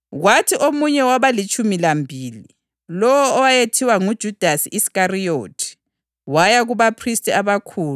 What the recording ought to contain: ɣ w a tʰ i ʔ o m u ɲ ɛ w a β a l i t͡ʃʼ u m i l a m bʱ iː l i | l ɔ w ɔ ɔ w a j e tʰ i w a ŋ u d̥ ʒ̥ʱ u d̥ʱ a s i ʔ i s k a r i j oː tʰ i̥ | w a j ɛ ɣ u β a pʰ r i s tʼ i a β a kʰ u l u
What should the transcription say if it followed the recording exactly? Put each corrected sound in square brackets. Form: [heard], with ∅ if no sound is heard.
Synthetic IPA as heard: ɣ w a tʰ i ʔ o m u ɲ ɛ w a β a l i t͡ʃʼ u m i l a m bʱ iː l i | l ɔ w ɔ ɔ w a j e tʰ i w a ŋ u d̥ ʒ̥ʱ u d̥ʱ a s i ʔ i s k a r i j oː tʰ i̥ | w a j [a] ɣ u β a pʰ r i s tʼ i a β a kʰ [uː] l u